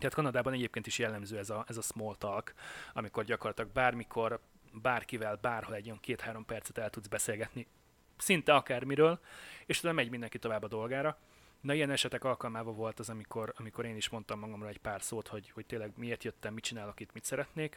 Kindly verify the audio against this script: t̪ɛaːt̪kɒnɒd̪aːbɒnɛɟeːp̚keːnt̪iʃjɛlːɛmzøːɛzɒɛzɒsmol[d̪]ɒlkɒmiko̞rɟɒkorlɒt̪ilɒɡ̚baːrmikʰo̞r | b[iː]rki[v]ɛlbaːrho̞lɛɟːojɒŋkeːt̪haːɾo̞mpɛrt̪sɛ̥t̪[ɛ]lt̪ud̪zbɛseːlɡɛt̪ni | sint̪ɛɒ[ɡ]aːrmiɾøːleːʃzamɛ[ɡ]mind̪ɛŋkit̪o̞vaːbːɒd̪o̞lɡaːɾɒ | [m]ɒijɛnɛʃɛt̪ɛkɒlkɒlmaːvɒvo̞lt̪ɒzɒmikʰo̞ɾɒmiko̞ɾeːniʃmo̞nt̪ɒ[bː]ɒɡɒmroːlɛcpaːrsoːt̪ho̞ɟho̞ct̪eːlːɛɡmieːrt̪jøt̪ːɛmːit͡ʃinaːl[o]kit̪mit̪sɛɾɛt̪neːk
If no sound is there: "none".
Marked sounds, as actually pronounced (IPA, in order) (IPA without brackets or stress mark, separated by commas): t̪, aː, v, ɛ, k, ɟ, n, mː, o